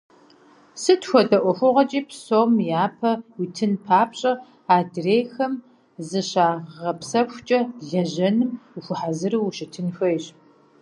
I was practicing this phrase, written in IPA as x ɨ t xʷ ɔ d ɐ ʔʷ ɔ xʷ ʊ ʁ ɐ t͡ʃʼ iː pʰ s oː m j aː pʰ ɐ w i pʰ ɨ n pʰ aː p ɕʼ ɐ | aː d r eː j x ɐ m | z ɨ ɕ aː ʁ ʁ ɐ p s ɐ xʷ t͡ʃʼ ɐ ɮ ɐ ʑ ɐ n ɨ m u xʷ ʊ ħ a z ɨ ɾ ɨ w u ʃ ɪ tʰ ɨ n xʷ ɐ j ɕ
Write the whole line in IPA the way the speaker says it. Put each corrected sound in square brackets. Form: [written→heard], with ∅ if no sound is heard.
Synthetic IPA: [x→s] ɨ t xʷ ɔ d ɐ ʔʷ ɔ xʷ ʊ ʁ ɐ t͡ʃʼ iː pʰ s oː m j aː pʰ ɐ w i [pʰ→tʰ] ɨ n pʰ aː p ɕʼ ɐ | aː d r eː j x ɐ m | z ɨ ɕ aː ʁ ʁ ɐ p s ɐ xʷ t͡ʃʼ ɐ ɮ ɐ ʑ ɐ n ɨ m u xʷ ʊ ħ a z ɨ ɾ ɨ w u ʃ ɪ tʰ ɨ n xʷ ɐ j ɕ